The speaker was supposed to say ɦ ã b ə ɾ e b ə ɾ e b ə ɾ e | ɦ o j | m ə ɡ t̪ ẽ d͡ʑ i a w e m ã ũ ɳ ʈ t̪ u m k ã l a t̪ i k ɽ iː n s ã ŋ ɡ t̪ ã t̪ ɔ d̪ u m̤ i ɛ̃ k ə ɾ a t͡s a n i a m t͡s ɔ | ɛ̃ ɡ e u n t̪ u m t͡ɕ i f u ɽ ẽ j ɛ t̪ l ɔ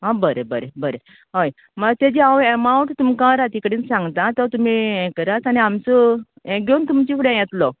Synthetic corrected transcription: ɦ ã b ə ɾ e b ə ɾ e b ə ɾ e | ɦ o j | m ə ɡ t̪ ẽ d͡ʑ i a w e m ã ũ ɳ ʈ t̪ u m k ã ɾ a t̪ i k ɽ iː n s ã ŋ ɡ t̪ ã t̪ ɔ t̪ u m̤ i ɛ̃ k ə ɾ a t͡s a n i a m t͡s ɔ | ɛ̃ ɡ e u n t̪ u m t͡ɕ i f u ɽ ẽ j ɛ t̪ l ɔ